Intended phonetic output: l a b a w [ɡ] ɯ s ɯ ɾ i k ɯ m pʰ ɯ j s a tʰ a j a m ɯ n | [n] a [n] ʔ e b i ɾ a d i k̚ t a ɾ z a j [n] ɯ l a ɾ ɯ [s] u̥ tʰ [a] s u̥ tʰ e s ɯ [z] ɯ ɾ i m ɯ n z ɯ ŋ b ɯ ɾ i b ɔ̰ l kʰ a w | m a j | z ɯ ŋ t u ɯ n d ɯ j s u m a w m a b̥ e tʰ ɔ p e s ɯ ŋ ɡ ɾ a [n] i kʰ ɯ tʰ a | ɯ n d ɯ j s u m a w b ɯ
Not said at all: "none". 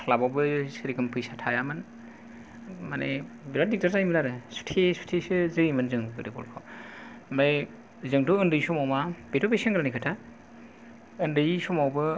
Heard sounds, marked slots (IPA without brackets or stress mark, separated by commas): b, m, n, m, s, e, z, n